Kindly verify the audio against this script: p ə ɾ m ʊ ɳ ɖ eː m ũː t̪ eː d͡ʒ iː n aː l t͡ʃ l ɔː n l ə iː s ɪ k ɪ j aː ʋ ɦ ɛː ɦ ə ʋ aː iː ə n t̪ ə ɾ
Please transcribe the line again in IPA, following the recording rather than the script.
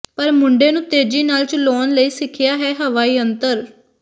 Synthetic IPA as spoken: p ə ɾ m ʊ ɳ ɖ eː n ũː t̪ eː d͡ʒ iː n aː l t͡ʃ l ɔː n l ə iː s ɪ kʰ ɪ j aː ɦ ɛː ɦ ə ʋ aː iː ə n t̪ ə ɾ